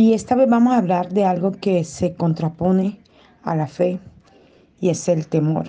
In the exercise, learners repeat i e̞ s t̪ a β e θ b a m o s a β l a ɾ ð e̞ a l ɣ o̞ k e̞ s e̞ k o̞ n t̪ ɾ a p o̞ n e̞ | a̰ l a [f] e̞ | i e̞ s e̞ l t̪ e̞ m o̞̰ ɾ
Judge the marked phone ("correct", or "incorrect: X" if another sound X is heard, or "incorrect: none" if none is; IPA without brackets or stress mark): correct